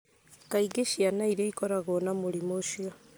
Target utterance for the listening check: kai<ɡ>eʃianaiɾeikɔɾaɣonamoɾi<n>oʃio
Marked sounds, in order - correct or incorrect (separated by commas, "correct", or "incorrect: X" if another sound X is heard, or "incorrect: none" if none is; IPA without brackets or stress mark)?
correct, incorrect: m